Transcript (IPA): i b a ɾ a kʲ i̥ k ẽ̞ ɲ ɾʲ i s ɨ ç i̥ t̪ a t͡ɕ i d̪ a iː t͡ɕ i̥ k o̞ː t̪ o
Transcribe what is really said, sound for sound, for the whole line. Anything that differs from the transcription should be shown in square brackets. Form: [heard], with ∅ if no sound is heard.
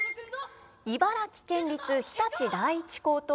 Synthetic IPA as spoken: i b a ɾ a kʲ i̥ k ẽ̞ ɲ ɾʲ i [t͡s] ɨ ç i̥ t̪ a t͡ɕ i d̪ a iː t͡ɕ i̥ k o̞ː t̪ o